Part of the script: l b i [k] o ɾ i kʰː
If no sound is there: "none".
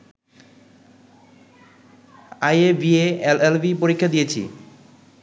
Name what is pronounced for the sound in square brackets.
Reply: p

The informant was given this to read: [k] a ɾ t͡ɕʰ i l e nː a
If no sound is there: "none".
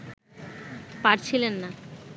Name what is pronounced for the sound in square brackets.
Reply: p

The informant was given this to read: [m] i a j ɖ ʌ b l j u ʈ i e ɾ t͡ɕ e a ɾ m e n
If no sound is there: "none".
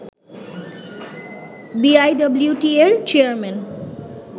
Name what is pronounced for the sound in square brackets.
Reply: b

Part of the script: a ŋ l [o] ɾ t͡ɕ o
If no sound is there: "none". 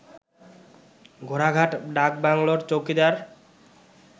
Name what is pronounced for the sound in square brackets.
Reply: o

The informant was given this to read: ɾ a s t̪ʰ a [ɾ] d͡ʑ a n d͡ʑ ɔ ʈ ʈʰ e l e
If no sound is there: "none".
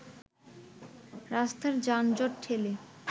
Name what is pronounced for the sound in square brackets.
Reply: ɾ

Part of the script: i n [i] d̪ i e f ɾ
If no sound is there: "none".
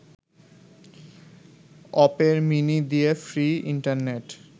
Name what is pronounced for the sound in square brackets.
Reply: i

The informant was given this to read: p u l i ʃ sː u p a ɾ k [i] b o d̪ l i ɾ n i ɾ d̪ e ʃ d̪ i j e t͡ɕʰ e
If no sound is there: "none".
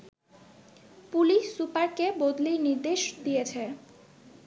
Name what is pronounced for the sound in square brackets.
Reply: e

